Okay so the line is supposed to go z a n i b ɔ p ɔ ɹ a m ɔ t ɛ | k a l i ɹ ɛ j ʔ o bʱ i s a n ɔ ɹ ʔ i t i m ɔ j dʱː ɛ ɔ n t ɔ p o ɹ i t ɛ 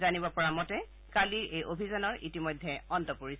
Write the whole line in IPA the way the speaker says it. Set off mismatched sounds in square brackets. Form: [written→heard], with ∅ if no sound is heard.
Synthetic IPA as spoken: z a n i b ɔ p ɔ ɹ a m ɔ t ɛ | k a l i ɹ [ɛ→e] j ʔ o bʱ i [s→z] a n ɔ ɹ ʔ i t i m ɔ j dʱː ɛ ɔ n t ɔ p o ɹ i [t→s] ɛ